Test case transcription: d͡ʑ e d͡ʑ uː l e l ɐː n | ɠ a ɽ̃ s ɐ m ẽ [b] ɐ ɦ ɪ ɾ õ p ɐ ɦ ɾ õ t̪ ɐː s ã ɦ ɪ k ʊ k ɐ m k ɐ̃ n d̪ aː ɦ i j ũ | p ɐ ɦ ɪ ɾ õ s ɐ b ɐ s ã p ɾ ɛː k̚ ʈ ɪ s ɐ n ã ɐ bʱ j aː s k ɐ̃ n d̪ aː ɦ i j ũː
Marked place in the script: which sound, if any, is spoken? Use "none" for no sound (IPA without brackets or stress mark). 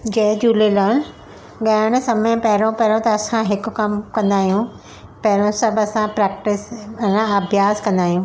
p